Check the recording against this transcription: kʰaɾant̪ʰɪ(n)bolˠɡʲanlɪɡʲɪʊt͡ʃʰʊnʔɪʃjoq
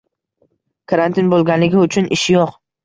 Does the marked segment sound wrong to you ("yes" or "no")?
no